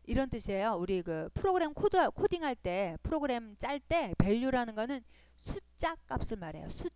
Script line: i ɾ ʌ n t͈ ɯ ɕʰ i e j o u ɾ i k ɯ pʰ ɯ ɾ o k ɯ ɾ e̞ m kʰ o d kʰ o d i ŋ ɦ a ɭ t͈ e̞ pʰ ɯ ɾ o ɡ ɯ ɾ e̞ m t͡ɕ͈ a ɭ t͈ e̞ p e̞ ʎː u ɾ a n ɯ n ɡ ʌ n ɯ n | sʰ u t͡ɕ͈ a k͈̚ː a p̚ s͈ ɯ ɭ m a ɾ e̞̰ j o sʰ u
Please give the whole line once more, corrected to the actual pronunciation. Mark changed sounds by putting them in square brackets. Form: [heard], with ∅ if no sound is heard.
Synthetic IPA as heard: i ɾ ʌ n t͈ ɯ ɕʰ i e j o u ɾ i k ɯ pʰ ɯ ɾ o [ɡ] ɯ ɾ e̞ m kʰ o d kʰ o d i ŋ ɦ a ɭ t͈ e̞ pʰ ɯ ɾ o ɡ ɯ ɾ e̞ m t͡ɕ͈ a ɭ t͈ e̞ p e̞ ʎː u ɾ a n ɯ n ɡ ʌ n ɯ n | sʰ u t͡ɕ͈ a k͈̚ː a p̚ s͈ ɯ ɭ m a ɾ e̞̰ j o sʰ u